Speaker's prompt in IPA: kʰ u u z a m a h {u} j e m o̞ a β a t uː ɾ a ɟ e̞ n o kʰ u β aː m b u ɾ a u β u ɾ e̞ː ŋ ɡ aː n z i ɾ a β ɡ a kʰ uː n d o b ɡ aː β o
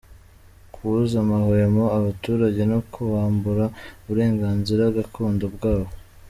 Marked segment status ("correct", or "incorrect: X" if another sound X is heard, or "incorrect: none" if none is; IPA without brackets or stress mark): incorrect: o